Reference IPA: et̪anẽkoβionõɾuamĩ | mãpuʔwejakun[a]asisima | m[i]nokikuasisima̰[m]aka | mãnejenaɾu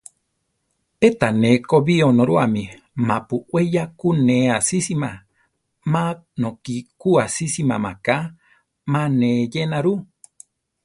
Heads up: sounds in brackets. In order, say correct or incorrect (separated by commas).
incorrect, incorrect, correct